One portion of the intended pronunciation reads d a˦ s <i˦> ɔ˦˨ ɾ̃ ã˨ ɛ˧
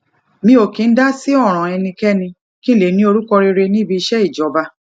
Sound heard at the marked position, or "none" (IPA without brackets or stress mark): i˦